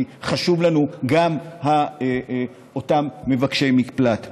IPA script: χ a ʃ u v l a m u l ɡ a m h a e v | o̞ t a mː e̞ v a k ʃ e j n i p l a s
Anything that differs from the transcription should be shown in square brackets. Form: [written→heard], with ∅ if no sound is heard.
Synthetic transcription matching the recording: χ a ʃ u v l a [m→n] u [l→∅] ɡ a m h a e [v→∅] | o̞ t a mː e̞ v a k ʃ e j [n→m] i p l a [s→t]